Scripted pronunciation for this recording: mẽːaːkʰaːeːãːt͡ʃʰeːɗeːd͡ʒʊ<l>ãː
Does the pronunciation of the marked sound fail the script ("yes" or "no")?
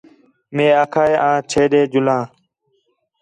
no